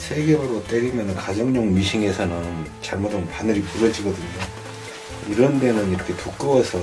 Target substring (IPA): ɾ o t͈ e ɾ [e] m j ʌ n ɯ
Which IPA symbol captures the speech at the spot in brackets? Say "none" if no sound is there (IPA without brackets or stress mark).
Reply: i